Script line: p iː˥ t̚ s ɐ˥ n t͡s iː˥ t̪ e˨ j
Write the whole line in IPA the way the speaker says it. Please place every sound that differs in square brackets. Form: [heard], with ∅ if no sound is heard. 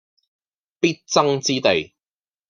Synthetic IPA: p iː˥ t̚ [t͡s] ɐ˥ [ŋ] t͡s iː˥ t̪ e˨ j